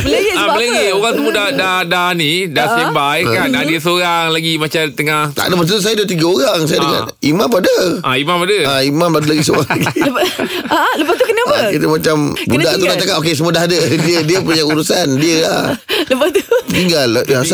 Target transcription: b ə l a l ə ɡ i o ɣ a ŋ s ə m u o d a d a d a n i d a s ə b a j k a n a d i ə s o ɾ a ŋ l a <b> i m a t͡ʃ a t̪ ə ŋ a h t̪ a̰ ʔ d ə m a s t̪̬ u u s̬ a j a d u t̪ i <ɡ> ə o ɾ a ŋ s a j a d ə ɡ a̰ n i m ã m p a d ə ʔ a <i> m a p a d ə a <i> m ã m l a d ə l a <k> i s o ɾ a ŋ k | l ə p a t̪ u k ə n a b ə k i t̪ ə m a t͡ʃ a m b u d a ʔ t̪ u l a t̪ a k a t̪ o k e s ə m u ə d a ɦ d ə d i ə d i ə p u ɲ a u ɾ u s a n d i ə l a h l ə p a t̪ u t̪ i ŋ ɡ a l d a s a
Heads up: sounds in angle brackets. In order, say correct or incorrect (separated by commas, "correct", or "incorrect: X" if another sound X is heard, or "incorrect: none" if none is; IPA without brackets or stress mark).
incorrect: ɡ, correct, correct, correct, incorrect: ɡ